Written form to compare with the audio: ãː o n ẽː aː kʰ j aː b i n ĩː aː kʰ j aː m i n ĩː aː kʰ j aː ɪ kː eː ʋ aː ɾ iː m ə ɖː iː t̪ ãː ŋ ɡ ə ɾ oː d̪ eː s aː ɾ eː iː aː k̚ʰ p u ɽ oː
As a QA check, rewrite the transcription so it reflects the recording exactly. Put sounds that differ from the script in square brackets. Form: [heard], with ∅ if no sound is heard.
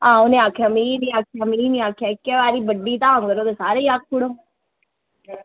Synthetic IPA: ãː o n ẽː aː kʰ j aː [m] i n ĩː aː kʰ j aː m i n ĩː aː kʰ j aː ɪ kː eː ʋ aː ɾ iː [b] ə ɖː iː t̪ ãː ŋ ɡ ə ɾ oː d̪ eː s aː ɾ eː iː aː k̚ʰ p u ɽ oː

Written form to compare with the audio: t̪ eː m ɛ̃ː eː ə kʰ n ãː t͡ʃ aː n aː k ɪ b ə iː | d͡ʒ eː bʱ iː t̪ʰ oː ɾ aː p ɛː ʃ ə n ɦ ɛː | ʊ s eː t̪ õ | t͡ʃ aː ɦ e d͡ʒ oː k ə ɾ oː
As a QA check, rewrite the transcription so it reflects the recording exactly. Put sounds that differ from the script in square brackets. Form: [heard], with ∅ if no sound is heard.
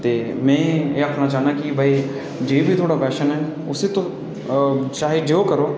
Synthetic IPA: t̪ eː m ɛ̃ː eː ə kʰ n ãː t͡ʃ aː n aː k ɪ b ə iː | d͡ʒ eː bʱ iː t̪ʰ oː [ɽ] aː p ɛː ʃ ə n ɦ ɛː | ʊ s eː t̪ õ | t͡ʃ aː ɦ e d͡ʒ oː k ə ɾ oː

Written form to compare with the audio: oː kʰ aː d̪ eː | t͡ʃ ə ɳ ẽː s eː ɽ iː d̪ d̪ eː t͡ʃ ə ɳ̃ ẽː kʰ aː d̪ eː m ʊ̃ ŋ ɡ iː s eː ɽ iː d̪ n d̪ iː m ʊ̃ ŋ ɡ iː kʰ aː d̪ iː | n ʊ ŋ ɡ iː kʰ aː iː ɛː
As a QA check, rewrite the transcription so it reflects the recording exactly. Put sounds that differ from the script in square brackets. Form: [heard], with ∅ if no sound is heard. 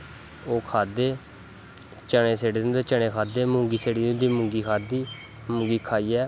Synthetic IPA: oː kʰ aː d̪ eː | t͡ʃ ə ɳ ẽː s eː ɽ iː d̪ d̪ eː t͡ʃ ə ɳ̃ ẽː kʰ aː d̪ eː m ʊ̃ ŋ ɡ iː s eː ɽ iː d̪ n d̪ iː m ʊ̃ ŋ ɡ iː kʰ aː d̪ iː | [m] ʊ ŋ ɡ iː kʰ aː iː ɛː

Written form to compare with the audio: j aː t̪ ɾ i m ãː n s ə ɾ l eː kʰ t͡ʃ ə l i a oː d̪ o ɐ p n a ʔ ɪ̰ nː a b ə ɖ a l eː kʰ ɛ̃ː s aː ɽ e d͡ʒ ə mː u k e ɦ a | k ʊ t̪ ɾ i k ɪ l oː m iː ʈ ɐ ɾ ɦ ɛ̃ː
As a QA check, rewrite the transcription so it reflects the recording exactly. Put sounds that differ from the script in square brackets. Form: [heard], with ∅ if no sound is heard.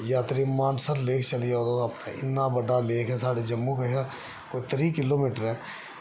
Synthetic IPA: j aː t̪ ɾ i m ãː n s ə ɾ l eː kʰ t͡ʃ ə l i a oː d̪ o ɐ p n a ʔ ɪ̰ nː a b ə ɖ a l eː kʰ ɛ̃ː s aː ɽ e d͡ʒ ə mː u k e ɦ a | k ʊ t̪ ɾ i k ɪ l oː m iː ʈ [ə] ɾ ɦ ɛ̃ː

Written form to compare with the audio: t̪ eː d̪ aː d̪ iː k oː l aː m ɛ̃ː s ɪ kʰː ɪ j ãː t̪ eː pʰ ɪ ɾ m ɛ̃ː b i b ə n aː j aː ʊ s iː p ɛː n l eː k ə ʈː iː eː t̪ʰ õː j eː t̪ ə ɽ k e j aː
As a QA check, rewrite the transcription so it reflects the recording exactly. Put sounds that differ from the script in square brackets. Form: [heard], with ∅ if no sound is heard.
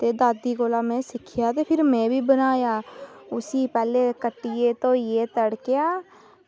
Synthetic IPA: t̪ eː d̪ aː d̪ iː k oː l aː m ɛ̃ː s ɪ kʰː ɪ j [aː] t̪ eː pʰ ɪ ɾ m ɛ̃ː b [iː] b ə n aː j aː ʊ s iː p ɛː [∅] l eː k ə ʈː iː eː [t̪] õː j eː t̪ ə ɽ k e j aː

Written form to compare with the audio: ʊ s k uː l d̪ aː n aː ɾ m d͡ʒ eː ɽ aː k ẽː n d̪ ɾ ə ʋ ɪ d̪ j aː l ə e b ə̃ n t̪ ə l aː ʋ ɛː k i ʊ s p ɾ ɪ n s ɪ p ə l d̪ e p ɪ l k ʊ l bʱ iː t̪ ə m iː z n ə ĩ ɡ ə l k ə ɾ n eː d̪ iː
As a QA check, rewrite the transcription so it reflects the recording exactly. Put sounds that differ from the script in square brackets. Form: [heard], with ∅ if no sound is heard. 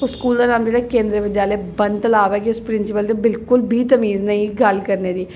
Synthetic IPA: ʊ s k uː l d̪ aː n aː [∅] m d͡ʒ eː ɽ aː k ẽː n d̪ ɾ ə ʋ ɪ d̪ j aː l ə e b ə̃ n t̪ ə l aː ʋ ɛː k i ʊ s p ɾ ɪ n s ɪ p ə l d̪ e [b] ɪ l k ʊ l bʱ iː t̪ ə m iː z n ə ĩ ɡ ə l k ə ɾ n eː d̪ iː

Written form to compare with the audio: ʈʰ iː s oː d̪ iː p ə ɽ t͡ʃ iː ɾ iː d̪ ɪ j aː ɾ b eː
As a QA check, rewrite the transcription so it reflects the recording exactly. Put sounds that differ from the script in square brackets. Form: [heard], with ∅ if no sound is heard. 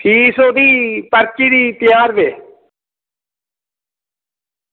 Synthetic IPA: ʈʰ iː s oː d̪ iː p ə [ɾ] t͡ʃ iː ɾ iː [t̪] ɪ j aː ɾ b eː

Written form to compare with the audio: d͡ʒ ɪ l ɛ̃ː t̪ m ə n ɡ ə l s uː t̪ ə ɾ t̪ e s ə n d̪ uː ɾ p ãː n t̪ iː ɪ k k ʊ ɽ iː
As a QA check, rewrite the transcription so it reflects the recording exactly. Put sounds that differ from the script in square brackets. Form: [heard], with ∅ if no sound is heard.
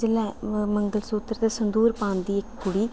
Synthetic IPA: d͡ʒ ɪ l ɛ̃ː [∅] m ə [ŋ] ɡ ə l s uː t̪ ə ɾ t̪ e s ə n d̪ uː ɾ p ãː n [d̪] iː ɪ k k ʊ ɽ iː

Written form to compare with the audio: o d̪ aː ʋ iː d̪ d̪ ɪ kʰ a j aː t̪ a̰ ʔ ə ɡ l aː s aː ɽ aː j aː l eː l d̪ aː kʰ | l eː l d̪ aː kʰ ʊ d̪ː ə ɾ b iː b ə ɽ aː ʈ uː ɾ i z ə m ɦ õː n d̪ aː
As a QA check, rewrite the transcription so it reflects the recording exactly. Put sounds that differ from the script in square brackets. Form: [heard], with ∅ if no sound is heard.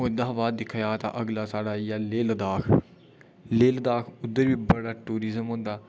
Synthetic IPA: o d̪ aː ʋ [aː] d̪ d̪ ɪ kʰ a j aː t̪ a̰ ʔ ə ɡ l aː s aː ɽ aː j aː l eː l d̪ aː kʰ | l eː l d̪ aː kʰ ʊ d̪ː ə ɾ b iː b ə ɽ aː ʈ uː ɾ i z ə m ɦ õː n d̪ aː

